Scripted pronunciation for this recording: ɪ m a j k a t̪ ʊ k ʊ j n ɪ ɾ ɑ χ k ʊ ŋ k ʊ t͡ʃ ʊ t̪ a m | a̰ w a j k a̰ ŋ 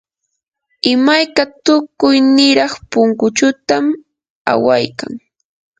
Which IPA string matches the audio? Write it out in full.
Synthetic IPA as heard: ɪ m a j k a t̪ ʊ k ʊ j n ɪ ɾ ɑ χ p ʊ ŋ k ʊ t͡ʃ ʊ t̪ a m | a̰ w a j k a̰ ŋ